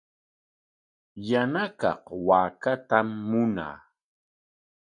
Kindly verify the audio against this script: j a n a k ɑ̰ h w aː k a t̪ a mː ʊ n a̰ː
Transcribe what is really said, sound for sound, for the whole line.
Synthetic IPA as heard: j a n a k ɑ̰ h w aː k a t̪ a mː ʊ n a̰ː